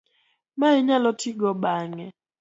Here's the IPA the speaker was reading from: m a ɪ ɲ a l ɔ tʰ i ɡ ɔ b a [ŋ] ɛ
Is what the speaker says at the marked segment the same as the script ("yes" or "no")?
yes